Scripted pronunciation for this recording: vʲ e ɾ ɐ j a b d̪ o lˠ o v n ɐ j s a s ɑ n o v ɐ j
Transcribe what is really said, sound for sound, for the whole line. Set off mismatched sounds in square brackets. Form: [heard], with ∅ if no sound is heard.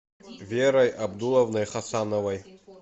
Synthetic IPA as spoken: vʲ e ɾ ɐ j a b d̪ [u] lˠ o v n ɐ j [χ] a s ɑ n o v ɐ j